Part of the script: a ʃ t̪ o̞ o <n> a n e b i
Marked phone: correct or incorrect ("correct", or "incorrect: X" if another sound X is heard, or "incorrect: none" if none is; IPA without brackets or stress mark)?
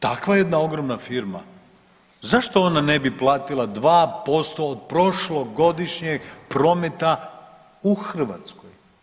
correct